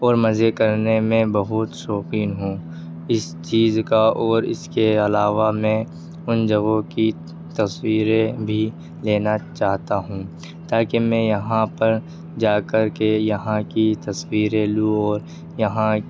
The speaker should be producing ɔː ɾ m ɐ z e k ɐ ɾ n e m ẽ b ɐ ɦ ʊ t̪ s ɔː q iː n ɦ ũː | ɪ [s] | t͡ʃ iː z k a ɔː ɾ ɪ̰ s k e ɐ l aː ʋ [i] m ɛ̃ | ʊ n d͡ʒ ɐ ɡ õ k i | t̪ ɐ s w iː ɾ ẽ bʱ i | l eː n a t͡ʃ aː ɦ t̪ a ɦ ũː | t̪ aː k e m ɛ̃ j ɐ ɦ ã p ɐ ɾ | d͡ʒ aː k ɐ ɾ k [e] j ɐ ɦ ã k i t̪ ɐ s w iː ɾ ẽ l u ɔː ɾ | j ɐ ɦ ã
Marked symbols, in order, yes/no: yes, no, yes

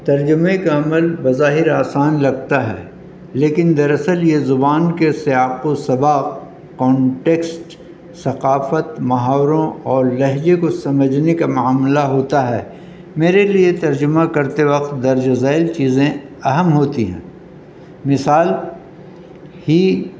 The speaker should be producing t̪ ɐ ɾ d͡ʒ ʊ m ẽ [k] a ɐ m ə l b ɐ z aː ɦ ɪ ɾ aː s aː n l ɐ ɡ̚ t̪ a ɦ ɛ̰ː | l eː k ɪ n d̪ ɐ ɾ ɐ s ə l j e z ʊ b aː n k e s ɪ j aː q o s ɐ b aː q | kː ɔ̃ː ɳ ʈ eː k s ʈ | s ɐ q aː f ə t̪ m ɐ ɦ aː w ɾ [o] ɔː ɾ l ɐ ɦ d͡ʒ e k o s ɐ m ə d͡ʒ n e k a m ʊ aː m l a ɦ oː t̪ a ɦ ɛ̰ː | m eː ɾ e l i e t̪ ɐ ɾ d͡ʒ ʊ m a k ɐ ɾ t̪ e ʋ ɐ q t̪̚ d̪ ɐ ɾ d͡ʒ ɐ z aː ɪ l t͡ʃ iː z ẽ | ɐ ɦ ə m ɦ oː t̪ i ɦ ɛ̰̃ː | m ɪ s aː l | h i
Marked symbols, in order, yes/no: yes, no

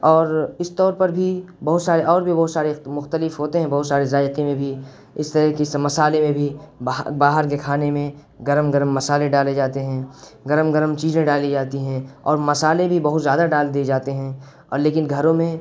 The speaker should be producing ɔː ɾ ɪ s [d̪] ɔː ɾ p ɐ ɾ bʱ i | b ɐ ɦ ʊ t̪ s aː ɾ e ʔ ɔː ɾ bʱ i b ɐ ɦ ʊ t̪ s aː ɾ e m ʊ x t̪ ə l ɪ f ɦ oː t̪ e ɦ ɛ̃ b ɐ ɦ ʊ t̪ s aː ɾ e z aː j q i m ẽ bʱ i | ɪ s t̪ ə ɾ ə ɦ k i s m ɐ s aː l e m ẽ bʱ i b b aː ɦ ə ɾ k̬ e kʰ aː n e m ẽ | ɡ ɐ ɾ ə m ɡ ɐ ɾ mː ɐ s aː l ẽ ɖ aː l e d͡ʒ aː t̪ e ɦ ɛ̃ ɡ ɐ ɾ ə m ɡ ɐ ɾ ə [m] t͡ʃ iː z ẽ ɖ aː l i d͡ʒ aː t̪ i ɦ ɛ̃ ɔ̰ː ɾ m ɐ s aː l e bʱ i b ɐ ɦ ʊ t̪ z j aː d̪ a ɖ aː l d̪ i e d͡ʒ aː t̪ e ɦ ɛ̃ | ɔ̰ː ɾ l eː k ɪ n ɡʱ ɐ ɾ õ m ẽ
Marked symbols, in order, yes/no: no, yes

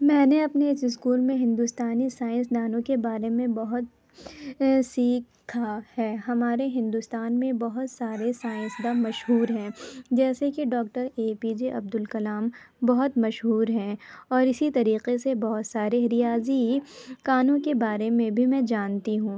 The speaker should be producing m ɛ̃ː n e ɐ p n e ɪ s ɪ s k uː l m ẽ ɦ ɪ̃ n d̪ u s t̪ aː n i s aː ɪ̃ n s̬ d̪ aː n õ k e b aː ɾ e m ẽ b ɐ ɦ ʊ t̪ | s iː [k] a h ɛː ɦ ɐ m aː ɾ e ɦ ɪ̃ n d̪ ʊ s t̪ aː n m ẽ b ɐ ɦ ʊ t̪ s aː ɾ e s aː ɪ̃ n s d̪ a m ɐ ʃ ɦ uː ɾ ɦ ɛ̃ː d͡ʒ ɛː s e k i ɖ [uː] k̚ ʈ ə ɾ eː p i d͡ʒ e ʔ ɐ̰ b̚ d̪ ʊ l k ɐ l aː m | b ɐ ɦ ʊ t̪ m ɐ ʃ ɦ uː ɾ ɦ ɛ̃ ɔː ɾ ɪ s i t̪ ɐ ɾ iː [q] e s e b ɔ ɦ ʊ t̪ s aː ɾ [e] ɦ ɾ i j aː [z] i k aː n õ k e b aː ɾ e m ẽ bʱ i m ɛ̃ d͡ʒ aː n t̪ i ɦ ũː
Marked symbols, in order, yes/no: no, no, yes, yes, yes

